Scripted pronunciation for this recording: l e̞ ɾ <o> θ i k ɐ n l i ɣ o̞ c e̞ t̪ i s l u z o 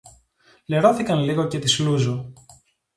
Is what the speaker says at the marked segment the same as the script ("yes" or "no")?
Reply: yes